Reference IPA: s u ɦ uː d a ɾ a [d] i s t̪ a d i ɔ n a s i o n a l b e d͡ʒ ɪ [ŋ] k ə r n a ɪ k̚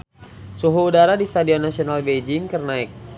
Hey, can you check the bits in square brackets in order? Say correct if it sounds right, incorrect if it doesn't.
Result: correct, correct

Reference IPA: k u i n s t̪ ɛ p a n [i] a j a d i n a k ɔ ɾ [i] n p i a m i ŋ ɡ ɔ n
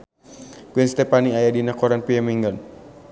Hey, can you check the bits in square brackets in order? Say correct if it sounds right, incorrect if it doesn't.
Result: correct, incorrect: a

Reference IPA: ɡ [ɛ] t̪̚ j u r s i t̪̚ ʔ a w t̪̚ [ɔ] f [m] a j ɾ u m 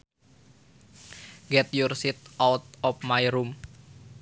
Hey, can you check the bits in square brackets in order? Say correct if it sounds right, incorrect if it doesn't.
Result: correct, correct, correct

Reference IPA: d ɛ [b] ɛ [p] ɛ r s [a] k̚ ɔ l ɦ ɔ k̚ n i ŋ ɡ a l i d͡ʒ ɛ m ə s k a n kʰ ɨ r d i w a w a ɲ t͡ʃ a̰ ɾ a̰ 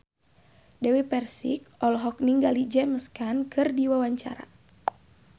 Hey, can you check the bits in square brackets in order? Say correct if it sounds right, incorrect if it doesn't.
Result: incorrect: w, correct, incorrect: i

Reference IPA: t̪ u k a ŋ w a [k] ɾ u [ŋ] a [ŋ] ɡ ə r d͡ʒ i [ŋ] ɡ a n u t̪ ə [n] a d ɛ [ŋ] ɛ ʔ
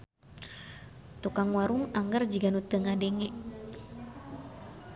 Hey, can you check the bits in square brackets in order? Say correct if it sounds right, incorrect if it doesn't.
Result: incorrect: none, correct, correct, incorrect: none, incorrect: ŋ, correct

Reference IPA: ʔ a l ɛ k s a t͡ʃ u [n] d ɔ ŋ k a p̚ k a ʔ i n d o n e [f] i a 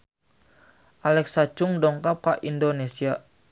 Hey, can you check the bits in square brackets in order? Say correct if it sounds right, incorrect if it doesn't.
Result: incorrect: ŋ, incorrect: s

